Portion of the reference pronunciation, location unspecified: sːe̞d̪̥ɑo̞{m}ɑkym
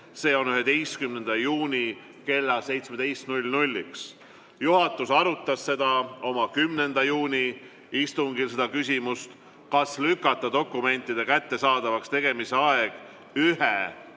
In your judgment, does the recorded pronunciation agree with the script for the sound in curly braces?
yes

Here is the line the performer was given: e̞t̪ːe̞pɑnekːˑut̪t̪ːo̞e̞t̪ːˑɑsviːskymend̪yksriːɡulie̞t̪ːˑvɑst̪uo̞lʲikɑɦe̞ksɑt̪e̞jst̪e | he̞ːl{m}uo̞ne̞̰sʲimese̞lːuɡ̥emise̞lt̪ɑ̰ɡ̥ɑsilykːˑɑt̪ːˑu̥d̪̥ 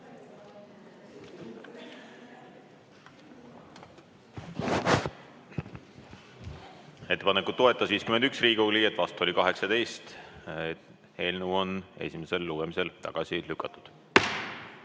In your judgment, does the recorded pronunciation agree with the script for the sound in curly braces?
no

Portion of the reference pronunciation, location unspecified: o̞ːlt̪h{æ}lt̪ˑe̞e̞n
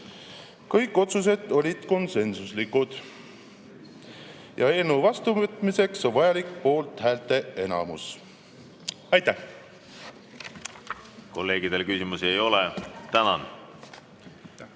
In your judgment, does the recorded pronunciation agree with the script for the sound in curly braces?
no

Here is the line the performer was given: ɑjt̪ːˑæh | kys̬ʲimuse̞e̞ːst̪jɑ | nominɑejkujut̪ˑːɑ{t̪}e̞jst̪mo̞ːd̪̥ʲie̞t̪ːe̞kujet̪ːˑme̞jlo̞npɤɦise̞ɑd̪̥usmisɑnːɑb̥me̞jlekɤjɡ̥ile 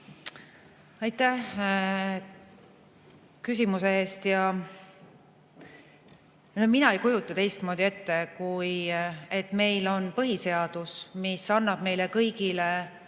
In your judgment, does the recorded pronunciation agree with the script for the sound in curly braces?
yes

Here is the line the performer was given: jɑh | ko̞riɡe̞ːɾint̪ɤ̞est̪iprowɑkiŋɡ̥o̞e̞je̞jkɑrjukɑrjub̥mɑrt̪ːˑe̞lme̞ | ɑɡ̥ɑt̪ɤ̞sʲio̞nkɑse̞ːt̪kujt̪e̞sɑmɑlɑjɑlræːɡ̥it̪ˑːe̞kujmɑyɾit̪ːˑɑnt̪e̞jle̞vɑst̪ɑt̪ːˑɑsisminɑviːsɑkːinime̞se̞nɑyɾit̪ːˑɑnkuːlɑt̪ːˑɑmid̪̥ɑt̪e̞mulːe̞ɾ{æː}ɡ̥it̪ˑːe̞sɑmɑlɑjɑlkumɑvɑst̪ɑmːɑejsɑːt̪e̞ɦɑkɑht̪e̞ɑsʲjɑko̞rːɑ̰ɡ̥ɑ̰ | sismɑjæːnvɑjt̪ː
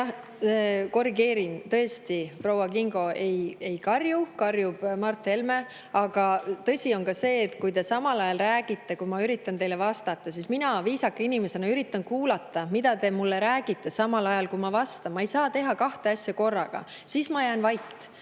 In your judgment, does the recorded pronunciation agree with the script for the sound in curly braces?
yes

